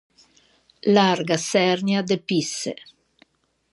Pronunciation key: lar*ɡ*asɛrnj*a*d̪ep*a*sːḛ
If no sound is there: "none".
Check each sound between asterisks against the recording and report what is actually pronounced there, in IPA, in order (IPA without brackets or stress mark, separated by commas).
ɡ, a, i